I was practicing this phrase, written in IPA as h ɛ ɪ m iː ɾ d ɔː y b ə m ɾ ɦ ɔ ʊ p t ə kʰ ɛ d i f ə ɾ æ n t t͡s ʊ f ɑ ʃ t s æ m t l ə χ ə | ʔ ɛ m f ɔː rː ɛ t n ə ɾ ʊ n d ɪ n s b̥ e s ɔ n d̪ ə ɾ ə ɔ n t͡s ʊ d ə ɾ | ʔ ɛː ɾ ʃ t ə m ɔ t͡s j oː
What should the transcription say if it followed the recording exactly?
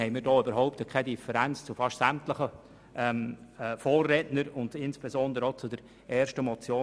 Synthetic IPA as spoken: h ɛ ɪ m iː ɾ d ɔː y b ə ɾ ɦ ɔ ʊ p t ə kʰ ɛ d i f ə ɾ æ n t͡s t͡s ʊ f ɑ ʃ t s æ m t l ə χ ə | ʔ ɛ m f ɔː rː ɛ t n ə ɾ ʊ n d ɪ n s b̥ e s ɔ n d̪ ə ɾ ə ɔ t͡s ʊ d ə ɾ | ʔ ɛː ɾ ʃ t ə m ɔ t͡s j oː